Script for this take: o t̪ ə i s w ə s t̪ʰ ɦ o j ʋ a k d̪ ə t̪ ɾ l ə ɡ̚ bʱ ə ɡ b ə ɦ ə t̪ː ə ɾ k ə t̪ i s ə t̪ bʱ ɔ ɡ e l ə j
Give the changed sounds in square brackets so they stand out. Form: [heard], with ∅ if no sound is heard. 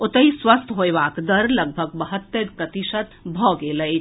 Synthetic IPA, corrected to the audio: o t̪ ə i s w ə s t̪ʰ ɦ o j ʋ a k d̪ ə [∅] ɾ l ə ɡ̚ bʱ ə ɡ b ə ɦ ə t̪ː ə ɾ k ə t̪ i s ə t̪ bʱ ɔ ɡ e l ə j